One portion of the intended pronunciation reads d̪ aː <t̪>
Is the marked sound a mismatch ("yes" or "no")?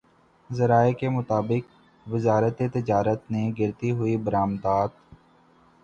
no